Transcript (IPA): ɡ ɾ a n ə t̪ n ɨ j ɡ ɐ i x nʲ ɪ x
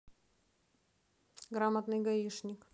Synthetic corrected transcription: ɡ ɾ a m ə t̪ n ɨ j ɡ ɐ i ʂ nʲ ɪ k